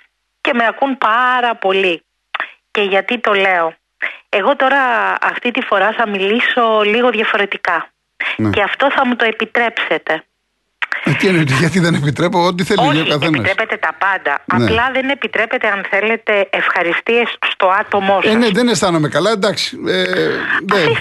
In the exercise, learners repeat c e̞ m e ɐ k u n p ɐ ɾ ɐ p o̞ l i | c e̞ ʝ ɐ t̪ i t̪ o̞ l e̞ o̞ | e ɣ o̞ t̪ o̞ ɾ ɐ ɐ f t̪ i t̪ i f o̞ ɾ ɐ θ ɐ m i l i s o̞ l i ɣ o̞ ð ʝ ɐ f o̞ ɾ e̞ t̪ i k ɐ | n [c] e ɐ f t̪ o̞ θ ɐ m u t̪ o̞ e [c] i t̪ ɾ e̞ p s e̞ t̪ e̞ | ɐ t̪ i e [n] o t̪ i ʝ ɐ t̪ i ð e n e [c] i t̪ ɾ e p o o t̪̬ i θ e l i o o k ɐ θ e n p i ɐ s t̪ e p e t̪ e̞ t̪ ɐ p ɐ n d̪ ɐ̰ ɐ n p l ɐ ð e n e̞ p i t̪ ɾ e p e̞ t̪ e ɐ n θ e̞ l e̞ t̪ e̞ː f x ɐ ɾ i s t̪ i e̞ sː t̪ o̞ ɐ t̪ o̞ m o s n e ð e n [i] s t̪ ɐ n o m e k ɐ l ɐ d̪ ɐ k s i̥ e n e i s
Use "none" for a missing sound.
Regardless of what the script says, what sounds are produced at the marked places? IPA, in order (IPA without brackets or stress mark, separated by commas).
c, p, n, p, e